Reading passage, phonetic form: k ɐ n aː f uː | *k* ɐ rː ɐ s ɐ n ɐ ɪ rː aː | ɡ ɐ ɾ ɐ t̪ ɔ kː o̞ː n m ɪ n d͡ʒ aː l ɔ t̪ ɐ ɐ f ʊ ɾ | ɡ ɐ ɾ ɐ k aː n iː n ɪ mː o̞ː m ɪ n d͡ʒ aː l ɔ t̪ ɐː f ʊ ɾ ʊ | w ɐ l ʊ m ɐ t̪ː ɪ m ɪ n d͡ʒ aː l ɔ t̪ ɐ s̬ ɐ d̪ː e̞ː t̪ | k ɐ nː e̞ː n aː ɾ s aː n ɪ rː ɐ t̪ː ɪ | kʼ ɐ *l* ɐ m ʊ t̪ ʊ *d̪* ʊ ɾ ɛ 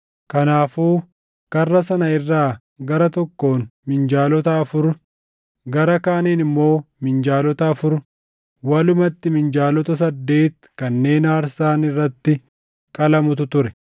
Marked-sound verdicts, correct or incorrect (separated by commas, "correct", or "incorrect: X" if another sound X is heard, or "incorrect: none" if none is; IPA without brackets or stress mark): correct, correct, incorrect: t̪